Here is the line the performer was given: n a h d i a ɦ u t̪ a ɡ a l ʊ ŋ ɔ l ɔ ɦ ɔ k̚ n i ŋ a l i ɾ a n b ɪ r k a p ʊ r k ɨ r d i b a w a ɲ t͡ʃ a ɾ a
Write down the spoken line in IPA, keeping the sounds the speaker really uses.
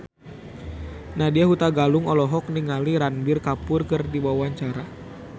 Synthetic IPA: n a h d i a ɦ u t̪ a ɡ a l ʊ ŋ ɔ l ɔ ɦ ɔ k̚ n i ŋ a l i ɾ a n b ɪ r k a p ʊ r k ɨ r d i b a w a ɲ t͡ʃ a ɾ a